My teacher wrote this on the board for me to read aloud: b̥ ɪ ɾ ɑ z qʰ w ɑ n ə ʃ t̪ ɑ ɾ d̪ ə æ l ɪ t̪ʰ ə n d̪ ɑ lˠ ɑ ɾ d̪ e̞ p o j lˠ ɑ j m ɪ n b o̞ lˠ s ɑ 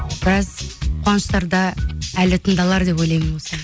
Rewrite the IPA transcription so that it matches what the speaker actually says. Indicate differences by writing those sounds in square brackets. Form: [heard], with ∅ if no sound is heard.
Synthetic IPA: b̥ ɪ ɾ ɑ z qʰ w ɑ n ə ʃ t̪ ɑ ɾ d̪ [ɑ] æ l ɪ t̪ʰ ə n d̪ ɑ lˠ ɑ ɾ d̪ e̞ p o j lˠ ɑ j m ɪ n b o̞ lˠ s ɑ